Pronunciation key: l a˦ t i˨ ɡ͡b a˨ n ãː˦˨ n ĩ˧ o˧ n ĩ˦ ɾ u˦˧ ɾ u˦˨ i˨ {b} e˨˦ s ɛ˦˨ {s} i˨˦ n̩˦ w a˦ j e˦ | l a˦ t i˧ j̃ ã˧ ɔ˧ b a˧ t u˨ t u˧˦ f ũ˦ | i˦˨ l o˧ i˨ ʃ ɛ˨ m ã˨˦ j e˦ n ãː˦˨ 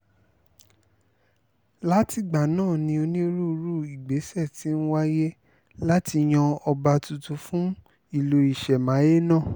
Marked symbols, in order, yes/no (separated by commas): no, no